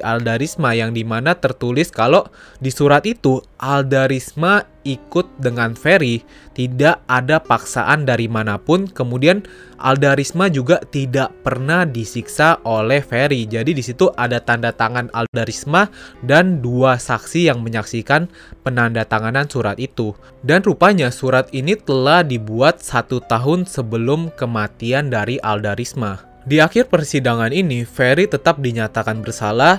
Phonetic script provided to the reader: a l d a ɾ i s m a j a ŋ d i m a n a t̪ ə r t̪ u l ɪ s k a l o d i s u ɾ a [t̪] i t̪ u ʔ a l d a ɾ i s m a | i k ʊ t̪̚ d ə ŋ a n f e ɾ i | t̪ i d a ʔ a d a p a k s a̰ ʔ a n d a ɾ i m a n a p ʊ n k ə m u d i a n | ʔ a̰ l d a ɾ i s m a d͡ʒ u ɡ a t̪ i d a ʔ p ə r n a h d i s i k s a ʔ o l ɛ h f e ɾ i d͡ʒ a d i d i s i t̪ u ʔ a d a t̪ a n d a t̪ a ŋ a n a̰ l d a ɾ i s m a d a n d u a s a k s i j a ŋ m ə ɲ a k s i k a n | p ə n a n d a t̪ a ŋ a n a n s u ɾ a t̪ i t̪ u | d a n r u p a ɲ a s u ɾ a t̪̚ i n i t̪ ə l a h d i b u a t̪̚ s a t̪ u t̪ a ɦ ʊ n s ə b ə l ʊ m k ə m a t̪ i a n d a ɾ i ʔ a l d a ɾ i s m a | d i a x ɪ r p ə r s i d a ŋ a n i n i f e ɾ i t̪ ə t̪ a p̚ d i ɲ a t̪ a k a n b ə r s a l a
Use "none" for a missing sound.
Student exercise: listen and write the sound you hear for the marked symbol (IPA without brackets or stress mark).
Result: t̪